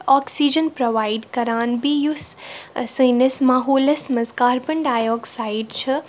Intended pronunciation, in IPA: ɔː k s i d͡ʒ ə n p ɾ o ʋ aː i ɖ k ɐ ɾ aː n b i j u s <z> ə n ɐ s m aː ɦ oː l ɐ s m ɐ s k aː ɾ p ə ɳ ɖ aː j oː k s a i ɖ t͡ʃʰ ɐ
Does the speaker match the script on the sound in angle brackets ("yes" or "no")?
no